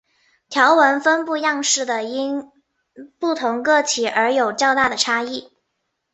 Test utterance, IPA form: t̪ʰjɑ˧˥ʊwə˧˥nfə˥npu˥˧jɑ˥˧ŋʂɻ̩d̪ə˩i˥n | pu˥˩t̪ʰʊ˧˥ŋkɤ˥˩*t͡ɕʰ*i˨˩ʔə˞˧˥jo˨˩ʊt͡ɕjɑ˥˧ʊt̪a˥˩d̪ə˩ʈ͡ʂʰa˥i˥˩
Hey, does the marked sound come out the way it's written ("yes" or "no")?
yes